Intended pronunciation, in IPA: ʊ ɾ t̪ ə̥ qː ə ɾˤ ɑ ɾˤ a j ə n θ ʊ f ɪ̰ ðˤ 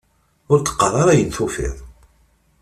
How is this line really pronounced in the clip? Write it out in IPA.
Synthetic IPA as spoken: ʊ ɾ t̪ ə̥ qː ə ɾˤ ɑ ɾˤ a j ə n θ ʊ f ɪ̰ ðˤ